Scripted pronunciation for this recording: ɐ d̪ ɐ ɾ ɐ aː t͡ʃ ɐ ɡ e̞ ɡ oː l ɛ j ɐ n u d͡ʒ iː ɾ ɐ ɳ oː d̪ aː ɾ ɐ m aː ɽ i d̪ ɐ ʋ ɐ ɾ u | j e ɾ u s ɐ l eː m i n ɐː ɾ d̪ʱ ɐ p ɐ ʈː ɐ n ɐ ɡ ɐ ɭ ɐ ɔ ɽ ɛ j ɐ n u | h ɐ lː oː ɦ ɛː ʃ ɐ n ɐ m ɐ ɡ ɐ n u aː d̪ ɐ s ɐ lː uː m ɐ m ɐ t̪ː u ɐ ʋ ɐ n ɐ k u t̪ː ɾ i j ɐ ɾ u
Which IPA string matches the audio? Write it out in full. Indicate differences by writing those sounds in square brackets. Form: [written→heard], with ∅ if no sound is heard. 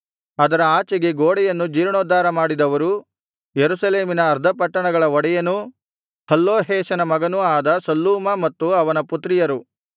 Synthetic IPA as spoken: ɐ d̪ ɐ ɾ ɐ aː t͡ʃ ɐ ɡ e̞ ɡ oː [l→ɽ] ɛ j ɐ [n→nː] u d͡ʒ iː ɾ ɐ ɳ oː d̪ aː ɾ ɐ m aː ɽ i d̪ ɐ ʋ ɐ ɾ u | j e ɾ u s ɐ l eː m i n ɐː ɾ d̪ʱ ɐ p ɐ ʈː ɐ [n→ɳ] ɐ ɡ ɐ ɭ ɐ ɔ ɽ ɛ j ɐ n u | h ɐ lː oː ɦ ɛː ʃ ɐ n ɐ m ɐ ɡ ɐ n u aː d̪ ɐ s ɐ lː uː m ɐ m ɐ t̪ː u ɐ ʋ ɐ n ɐ [k→p] u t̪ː ɾ i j ɐ ɾ u